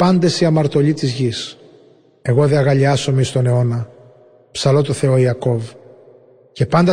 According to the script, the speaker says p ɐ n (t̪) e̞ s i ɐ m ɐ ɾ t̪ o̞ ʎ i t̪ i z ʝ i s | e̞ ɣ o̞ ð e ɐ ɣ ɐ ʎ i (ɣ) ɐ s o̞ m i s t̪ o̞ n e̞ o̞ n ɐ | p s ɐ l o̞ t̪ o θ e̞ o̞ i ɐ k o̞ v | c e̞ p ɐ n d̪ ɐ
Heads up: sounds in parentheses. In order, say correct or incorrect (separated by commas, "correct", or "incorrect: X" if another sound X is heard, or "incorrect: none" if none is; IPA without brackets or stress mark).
incorrect: d̪, incorrect: none